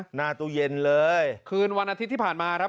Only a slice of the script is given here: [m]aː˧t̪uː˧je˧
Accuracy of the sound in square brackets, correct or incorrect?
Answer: incorrect